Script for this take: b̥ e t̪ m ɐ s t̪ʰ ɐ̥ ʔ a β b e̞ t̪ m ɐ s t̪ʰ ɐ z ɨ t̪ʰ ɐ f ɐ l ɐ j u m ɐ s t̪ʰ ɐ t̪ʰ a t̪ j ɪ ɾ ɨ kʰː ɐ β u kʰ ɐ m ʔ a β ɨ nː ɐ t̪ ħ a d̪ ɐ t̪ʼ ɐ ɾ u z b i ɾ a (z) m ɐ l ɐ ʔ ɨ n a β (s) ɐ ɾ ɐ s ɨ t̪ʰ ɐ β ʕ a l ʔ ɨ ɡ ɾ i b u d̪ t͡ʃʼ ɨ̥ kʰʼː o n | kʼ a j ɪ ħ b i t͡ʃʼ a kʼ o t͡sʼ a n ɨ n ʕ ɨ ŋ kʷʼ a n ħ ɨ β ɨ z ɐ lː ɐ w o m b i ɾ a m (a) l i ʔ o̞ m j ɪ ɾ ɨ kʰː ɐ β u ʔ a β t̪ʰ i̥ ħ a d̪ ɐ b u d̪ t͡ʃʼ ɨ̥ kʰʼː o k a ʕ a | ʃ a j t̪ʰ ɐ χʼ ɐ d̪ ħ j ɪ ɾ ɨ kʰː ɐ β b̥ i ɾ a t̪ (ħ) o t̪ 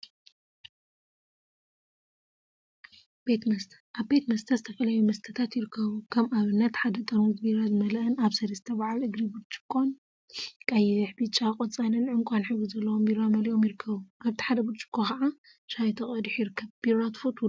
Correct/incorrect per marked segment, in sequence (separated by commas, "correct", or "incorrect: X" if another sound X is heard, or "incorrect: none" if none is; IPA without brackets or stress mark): correct, correct, incorrect: ɐ, incorrect: f